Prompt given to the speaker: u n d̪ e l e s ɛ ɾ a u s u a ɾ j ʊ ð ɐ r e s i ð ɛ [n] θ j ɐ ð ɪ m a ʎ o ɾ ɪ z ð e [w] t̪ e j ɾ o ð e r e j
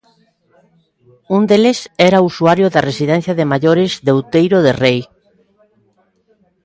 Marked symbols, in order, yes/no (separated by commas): yes, yes